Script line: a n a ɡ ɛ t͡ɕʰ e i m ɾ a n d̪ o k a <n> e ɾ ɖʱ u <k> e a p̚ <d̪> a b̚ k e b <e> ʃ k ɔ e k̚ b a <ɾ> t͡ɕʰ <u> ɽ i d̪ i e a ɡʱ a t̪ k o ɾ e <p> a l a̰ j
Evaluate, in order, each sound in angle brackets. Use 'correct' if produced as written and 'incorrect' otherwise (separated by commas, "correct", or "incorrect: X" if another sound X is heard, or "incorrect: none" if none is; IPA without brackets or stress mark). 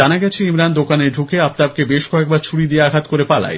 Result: correct, correct, incorrect: t̪, correct, correct, correct, correct